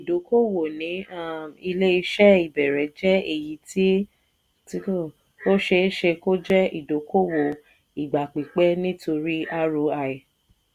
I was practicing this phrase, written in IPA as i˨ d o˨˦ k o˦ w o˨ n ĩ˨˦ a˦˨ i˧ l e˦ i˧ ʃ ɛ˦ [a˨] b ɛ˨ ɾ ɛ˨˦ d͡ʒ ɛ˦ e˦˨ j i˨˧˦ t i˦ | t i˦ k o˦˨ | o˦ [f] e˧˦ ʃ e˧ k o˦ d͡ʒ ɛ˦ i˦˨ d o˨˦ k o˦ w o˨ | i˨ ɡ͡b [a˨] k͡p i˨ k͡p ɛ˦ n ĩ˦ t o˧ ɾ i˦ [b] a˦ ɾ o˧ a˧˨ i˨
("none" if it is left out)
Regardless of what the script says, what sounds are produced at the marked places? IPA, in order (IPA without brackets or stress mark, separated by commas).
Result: i˨, ʃ, a˨, none